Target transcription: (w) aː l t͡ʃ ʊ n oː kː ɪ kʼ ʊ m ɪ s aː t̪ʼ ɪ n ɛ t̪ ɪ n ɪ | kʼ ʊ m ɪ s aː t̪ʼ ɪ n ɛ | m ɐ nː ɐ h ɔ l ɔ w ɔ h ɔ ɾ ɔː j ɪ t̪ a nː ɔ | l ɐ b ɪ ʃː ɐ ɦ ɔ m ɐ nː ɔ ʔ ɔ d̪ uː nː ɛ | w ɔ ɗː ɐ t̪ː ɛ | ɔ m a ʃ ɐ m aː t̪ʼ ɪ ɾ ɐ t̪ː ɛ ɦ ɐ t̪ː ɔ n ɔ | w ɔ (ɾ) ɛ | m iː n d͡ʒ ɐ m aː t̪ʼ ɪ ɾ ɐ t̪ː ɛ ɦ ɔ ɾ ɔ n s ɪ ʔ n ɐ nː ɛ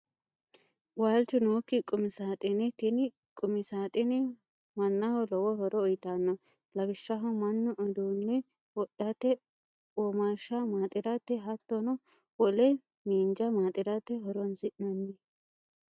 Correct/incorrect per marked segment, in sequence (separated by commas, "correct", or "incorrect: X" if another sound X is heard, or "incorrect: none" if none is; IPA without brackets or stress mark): correct, incorrect: l